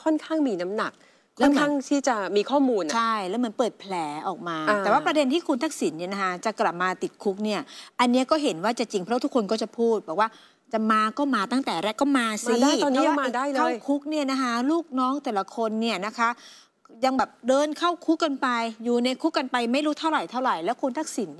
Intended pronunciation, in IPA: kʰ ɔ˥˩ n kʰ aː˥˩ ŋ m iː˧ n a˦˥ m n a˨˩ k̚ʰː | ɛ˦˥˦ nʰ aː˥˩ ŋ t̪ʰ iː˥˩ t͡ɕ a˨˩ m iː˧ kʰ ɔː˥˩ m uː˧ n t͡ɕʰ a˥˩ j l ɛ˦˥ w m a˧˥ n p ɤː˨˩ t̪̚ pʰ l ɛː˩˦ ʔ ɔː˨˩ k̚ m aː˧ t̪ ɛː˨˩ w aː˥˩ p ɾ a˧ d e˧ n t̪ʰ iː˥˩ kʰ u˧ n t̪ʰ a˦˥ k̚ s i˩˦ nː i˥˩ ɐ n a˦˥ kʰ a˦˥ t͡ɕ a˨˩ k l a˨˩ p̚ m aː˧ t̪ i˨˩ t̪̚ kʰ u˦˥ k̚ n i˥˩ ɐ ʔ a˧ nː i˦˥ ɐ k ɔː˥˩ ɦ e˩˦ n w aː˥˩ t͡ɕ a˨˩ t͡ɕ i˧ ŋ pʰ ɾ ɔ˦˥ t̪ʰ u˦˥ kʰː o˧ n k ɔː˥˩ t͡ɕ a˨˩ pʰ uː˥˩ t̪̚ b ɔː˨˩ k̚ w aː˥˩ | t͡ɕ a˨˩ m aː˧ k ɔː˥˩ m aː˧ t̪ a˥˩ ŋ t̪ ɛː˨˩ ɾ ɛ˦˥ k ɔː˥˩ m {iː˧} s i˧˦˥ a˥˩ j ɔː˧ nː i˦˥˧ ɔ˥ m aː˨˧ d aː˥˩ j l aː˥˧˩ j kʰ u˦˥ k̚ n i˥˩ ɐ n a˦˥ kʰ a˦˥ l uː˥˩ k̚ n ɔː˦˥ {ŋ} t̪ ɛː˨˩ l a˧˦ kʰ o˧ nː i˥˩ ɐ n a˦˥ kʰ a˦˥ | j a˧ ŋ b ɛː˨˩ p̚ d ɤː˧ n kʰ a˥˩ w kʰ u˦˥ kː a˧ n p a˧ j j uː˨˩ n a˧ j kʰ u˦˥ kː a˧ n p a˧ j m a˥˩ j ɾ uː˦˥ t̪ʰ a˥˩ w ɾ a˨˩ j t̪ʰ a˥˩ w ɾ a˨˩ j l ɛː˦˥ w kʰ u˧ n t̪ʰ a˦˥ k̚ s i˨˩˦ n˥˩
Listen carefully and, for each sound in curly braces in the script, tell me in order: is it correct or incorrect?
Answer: incorrect: aː˧, correct

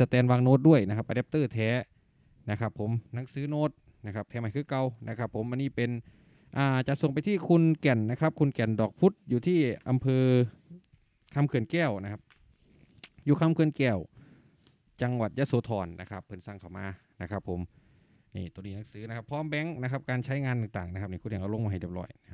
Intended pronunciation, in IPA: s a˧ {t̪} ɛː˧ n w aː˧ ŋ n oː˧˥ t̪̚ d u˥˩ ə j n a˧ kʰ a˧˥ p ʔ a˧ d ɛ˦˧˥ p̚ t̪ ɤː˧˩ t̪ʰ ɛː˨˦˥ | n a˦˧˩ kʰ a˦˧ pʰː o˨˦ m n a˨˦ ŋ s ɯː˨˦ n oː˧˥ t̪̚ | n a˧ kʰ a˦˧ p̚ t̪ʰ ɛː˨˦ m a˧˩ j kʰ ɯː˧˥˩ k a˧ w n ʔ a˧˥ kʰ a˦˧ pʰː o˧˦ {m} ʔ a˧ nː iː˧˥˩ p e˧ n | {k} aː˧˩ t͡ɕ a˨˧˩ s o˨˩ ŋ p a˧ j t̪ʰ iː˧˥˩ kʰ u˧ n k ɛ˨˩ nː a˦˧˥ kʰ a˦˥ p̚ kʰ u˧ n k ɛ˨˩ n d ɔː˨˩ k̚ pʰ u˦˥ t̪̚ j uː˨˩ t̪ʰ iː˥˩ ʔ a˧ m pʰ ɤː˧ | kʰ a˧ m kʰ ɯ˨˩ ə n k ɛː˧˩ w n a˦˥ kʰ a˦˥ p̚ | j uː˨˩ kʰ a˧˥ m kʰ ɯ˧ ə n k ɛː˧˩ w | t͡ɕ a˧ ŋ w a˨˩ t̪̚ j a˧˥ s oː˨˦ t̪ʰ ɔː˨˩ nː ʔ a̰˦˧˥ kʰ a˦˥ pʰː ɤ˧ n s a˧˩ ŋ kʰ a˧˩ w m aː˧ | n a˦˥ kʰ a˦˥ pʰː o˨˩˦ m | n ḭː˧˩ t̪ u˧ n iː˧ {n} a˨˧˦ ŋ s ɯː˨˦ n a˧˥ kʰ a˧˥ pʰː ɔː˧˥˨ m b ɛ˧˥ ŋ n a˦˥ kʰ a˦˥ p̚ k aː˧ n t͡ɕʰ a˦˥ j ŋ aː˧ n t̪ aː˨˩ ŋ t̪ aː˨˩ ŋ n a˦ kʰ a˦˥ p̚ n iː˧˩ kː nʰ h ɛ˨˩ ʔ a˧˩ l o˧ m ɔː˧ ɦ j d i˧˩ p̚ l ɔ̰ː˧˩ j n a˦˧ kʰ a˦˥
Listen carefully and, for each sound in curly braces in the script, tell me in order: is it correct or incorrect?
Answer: correct, correct, incorrect: ʔ, correct

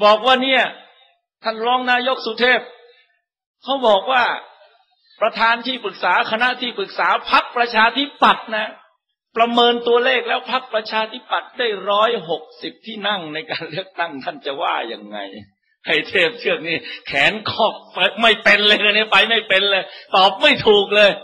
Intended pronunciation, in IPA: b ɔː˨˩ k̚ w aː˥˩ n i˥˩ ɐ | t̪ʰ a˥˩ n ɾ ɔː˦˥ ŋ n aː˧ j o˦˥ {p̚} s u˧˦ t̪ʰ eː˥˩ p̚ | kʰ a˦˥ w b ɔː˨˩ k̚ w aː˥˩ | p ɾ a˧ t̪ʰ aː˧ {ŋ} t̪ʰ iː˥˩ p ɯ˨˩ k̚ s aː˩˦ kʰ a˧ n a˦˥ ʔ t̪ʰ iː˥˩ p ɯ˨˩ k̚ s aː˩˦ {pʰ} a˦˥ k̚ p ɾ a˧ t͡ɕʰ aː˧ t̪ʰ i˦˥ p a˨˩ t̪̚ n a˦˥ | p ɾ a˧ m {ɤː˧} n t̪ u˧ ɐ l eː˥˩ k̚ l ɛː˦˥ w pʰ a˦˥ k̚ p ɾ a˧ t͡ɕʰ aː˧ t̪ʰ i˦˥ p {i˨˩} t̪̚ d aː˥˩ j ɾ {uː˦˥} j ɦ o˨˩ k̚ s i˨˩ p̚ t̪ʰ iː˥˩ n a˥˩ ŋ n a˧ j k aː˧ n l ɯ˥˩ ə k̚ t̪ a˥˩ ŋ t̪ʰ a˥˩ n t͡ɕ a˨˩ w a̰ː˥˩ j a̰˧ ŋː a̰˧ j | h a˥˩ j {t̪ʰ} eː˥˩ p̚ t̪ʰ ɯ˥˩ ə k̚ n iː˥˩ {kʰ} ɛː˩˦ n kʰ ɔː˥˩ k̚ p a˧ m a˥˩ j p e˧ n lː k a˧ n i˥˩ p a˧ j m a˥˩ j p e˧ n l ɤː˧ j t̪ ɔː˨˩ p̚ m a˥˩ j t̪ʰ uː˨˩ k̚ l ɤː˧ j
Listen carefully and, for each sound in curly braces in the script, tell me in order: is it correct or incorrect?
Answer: incorrect: k̚, incorrect: n, correct, correct, incorrect: a˨˩, incorrect: ɔː˦˥, correct, correct

